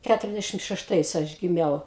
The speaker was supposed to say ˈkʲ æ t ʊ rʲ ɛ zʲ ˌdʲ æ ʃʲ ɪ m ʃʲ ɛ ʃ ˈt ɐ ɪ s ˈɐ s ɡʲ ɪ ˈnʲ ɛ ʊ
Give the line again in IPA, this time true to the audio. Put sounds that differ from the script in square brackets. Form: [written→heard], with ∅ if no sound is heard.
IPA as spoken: ˈkʲ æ t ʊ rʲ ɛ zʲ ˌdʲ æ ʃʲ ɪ m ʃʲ ɛ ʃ ˈt ɐ ɪ s ˈɐ [s→ʃ] ɡʲ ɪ [ˈnʲ→ˈmʲ] ɛ ʊ

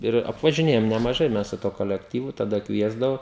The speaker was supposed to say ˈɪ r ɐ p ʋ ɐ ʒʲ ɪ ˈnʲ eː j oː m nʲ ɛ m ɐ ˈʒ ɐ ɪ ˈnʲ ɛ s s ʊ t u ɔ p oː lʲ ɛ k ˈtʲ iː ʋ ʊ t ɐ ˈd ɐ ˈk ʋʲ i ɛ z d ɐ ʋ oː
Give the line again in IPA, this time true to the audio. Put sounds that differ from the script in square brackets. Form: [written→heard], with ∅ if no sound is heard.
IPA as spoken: ˈɪ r ɐ p ʋ ɐ ʒʲ ɪ ˈnʲ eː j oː m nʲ ɛ m ɐ ˈʒ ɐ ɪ [ˈnʲ→ˈmʲ] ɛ s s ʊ t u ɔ [p→k] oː lʲ ɛ k ˈtʲ iː ʋ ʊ t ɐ ˈd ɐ ˈk ʋʲ i ɛ z d ɐ ʋ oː

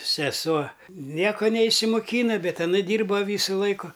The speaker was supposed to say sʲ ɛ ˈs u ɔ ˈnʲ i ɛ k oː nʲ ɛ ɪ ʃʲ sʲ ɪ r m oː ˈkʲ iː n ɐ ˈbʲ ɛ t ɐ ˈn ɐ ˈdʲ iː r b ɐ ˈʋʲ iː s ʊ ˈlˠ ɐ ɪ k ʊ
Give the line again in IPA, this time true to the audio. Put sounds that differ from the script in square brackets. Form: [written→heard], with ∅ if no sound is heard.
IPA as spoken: sʲ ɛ ˈs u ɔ ˈnʲ i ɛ k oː nʲ ɛ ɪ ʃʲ sʲ ɪ [r→∅] m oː ˈkʲ iː n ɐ ˈbʲ ɛ t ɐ ˈn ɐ ˈdʲ iː r b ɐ ˈʋʲ iː s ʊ ˈlˠ ɐ ɪ k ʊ

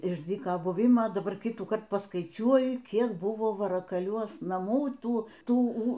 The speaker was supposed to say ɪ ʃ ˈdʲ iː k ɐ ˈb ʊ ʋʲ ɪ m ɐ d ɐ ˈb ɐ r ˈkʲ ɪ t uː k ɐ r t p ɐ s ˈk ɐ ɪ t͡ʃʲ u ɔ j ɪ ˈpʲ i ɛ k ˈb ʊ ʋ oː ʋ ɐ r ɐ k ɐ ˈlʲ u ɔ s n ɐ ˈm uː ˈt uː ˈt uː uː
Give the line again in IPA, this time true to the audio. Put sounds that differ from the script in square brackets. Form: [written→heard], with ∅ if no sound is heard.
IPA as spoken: ɪ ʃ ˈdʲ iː k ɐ ˈb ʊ ʋʲ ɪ m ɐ d ɐ ˈb ɐ r ˈkʲ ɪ t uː k ɐ r t p ɐ s ˈk ɐ ɪ t͡ʃʲ u ɔ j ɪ [ˈpʲ→ˈkʲ] i ɛ k ˈb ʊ ʋ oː ʋ ɐ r ɐ k ɐ ˈlʲ u ɔ s n ɐ ˈm uː ˈt uː ˈt uː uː

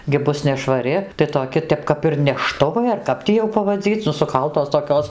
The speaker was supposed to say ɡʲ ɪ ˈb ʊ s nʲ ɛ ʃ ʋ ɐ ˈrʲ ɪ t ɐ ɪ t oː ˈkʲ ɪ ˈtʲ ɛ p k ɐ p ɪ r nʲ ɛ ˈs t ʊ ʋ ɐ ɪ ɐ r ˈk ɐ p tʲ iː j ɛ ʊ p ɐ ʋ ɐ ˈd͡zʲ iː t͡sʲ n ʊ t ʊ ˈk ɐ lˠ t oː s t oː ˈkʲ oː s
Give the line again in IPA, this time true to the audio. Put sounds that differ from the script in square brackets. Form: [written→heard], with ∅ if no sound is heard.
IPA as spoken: ɡʲ ɪ ˈb ʊ s nʲ ɛ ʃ ʋ ɐ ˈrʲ ɪ t ɐ ɪ t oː ˈkʲ ɪ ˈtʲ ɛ p k ɐ p ɪ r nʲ ɛ [ˈs→ˈʃ] t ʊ ʋ ɐ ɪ ɐ r ˈk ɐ p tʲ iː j ɛ ʊ p ɐ ʋ ɐ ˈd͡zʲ iː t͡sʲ n ʊ [t→s] ʊ ˈk ɐ lˠ t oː s t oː ˈkʲ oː s

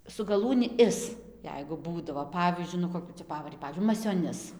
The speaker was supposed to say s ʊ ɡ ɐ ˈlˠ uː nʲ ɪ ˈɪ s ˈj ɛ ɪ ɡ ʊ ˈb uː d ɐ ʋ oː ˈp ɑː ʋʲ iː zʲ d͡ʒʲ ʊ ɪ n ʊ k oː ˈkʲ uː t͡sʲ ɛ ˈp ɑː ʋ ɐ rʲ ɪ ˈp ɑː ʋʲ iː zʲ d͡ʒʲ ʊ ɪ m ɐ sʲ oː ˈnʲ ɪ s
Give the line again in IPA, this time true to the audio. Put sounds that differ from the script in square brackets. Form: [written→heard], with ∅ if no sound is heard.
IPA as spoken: s ʊ ɡ ɐ ˈlˠ uː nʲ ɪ ˈɪ s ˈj ɛ ɪ ɡ ʊ ˈb uː d ɐ ʋ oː ˈp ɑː ʋʲ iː zʲ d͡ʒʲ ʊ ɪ n ʊ k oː ˈkʲ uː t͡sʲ ɛ ˈp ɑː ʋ ɐ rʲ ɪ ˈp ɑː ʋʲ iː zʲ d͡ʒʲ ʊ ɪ m ɐ sʲ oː ˈnʲ ɪ s

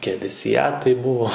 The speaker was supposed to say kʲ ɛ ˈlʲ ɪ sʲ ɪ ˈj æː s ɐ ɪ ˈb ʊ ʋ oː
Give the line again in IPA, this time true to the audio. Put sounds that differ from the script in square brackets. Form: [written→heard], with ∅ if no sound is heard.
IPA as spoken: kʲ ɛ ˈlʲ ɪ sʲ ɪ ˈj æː [s→t] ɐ ɪ ˈb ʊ ʋ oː

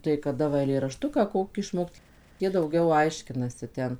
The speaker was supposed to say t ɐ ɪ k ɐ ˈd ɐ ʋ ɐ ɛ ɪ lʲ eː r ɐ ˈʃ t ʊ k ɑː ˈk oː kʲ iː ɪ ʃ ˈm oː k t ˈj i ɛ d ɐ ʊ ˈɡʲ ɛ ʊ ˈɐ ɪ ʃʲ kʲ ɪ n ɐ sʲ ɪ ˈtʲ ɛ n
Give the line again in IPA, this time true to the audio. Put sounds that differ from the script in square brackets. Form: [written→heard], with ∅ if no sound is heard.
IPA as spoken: t ɐ ɪ k ɐ ˈd ɐ ʋ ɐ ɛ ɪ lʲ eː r ɐ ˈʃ t ʊ k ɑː ˈk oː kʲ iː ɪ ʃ ˈm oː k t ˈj i ɛ d ɐ ʊ ˈɡʲ ɛ ʊ ˈɐ ɪ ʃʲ kʲ ɪ n ɐ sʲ ɪ ˈtʲ ɛ n

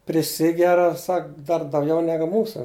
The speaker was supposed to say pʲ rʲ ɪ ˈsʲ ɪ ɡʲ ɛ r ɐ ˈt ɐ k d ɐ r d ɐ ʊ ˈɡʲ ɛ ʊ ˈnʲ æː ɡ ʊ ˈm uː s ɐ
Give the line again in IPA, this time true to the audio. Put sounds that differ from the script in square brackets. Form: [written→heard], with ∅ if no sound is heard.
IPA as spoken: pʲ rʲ ɪ ˈsʲ ɪ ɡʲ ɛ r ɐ [ˈt→ˈs] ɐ k d ɐ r d ɐ ʊ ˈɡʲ ɛ ʊ ˈnʲ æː ɡ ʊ ˈm uː s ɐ

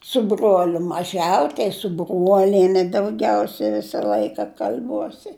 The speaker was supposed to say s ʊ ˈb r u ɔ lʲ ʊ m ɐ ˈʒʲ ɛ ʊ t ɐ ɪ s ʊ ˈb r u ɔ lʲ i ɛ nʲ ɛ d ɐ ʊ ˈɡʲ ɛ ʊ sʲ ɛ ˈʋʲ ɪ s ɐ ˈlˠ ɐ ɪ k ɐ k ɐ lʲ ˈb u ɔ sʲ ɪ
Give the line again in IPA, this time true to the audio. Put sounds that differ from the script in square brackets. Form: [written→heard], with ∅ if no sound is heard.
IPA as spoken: s ʊ ˈb r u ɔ lʲ ʊ m ɐ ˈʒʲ ɛ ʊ t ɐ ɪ s ʊ ˈb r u ɔ lʲ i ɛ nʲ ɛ d ɐ ʊ ˈɡʲ ɛ ʊ sʲ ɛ ˈʋʲ ɪ s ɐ ˈlˠ ɐ ɪ k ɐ k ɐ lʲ ˈb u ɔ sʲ ɪ

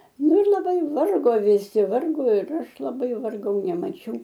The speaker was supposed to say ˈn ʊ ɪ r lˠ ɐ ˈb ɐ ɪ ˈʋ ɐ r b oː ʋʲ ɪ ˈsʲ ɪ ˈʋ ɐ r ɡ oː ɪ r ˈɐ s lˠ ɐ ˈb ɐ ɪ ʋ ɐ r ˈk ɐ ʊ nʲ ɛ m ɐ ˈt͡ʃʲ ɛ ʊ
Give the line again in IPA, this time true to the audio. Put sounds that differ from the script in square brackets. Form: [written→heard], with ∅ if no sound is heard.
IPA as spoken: ˈn ʊ ɪ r lˠ ɐ ˈb ɐ ɪ ˈʋ ɐ r [b→ɡ] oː ʋʲ ɪ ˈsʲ ɪ ˈʋ ɐ r ɡ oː ɪ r ˈɐ [s→ʃ] lˠ ɐ ˈb ɐ ɪ ʋ ɐ r [ˈk→ˈɡ] ɐ ʊ nʲ ɛ m ɐ ˈt͡ʃʲ ɛ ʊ

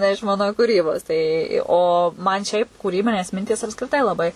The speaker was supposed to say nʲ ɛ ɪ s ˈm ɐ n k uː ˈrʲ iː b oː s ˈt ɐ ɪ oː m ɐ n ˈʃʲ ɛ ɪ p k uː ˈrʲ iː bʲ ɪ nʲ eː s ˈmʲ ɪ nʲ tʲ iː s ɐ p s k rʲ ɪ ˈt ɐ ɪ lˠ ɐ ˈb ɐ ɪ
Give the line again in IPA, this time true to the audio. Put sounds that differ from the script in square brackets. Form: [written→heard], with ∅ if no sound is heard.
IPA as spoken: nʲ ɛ ɪ [s→ʃ] ˈm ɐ n k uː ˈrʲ iː b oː s ˈt ɐ ɪ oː m ɐ n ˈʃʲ ɛ ɪ p k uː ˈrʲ iː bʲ ɪ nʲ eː s ˈmʲ ɪ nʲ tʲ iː s ɐ p s k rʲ ɪ ˈt ɐ ɪ lˠ ɐ ˈb ɐ ɪ

